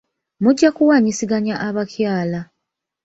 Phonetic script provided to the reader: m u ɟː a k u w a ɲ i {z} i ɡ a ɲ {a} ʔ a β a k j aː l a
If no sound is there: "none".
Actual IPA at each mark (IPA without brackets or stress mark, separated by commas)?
s, a